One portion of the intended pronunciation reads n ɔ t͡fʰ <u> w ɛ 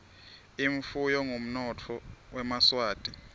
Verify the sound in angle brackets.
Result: incorrect: ɔ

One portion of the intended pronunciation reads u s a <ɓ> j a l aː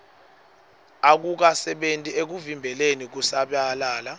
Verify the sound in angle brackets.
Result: correct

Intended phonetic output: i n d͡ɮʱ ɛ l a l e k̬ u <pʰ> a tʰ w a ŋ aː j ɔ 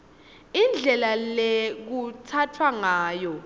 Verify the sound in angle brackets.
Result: incorrect: tʰ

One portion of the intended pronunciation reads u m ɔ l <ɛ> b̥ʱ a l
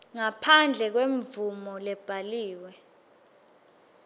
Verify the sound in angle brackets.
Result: correct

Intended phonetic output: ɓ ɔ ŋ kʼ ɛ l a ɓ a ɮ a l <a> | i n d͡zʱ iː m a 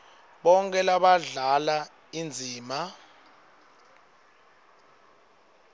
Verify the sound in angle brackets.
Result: correct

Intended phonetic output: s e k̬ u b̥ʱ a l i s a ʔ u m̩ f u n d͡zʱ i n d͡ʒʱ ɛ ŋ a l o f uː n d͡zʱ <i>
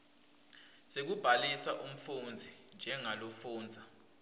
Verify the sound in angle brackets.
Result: incorrect: a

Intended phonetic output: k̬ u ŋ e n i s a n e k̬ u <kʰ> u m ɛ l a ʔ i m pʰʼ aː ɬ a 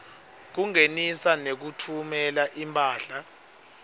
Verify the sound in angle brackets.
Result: incorrect: tʰ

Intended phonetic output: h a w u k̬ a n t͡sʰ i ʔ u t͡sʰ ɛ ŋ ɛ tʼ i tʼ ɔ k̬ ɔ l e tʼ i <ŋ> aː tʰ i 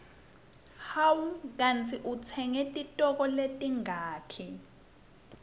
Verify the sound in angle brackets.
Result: correct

